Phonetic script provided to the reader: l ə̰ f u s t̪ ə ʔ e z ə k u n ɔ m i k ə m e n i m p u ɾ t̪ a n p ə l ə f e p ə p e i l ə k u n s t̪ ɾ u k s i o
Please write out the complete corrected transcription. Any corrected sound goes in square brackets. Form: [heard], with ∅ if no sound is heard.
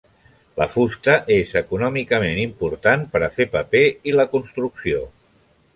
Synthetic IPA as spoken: l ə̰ f u s t̪ ə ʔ e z ə k u n ɔ m i k ə m e n i m p u ɾ t̪ a n p ə [ɾ] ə f e p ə p e i l ə k u n s t̪ ɾ u k s i o

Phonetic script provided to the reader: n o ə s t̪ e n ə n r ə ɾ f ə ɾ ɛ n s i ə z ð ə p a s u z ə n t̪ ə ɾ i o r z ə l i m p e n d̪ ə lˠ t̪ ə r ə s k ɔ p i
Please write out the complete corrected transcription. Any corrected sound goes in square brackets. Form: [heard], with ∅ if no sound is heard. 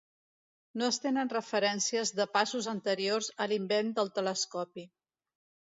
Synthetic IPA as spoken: n o ə s t̪ e n ə n r ə [∅] f ə ɾ ɛ n s i ə z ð ə p a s u z ə n t̪ ə ɾ i o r z ə l i m [b] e n d̪ ə lˠ t̪ ə [l] ə s k ɔ p i

